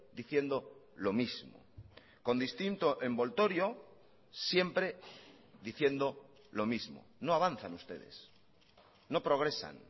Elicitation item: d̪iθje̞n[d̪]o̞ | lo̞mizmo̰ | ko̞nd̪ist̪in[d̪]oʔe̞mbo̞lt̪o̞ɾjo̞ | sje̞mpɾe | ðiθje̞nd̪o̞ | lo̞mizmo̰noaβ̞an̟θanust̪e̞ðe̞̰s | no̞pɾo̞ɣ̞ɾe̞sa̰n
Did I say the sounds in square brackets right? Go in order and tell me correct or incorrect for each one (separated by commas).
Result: correct, incorrect